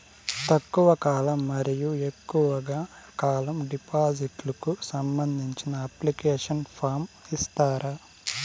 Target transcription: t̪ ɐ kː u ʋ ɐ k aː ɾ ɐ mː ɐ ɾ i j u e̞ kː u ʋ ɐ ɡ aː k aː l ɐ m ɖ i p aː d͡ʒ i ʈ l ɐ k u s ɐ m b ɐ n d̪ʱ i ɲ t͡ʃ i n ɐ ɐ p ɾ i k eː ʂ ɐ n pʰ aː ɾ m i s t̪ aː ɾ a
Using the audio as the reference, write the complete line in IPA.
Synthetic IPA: t̪ ɐ kː u ʋ ɐ k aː l ɐ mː ɐ ɾ i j u e̞ kː u ʋ ɐ ɡ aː k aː l ɐ m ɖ i p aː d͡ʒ i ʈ l ɐ k u s ɐ m b ɐ n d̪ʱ i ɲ t͡ʃ i n ɐ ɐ p l i k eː ʂ ɐ n pʰ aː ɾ m i s t̪ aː ɾ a